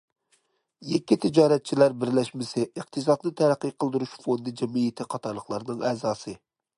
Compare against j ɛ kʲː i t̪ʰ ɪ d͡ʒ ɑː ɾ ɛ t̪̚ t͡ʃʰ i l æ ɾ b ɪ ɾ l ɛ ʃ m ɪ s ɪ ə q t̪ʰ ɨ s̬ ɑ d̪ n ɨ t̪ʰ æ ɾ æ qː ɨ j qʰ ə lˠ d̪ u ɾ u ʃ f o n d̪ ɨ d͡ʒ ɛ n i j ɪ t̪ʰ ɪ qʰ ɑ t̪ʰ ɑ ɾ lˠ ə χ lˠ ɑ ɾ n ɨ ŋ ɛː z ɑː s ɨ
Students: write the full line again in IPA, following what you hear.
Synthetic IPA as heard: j ɛ kʲː i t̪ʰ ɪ d͡ʒ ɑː ɾ ɛ t̪̚ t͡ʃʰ i l æ ɾ b ɪ ɾ l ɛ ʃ m ɪ s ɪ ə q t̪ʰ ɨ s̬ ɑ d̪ n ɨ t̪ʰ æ ɾ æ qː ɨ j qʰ ə lˠ d̪ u ɾ u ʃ f o n d̪ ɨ d͡ʒ ɛ m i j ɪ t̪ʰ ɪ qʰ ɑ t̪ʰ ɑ ɾ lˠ ə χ lˠ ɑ ɾ n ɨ ŋ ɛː z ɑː s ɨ